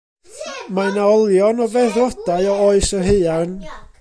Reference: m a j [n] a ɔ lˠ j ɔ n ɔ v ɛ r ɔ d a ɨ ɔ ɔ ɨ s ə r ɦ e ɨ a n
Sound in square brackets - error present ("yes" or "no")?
no